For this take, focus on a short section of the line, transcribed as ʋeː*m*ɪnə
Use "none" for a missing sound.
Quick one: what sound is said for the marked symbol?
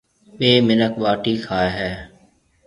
m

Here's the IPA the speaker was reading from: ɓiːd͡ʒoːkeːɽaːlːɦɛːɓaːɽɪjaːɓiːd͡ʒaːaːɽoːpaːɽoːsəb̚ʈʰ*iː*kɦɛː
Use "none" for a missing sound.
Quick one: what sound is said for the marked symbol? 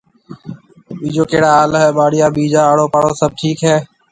iː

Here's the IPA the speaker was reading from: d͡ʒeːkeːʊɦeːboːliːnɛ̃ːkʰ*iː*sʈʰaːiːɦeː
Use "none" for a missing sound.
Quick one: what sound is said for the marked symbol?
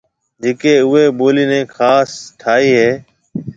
aː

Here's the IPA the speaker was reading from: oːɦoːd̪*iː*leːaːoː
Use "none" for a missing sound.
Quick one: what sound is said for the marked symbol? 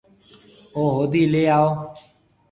iː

